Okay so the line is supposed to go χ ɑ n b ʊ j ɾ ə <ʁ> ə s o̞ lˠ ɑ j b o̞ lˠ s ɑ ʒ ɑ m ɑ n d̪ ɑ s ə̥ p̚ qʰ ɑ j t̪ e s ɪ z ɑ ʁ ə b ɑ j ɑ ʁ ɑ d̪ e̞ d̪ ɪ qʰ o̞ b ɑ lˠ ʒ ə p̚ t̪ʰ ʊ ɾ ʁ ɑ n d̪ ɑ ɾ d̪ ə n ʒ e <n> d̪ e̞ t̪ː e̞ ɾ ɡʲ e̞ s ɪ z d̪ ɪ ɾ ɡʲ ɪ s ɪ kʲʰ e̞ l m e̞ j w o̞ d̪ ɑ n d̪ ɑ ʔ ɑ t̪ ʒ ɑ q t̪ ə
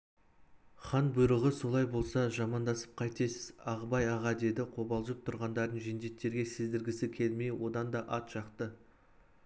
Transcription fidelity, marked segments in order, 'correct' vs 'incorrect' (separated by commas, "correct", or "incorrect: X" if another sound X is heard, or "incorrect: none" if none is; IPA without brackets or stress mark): correct, correct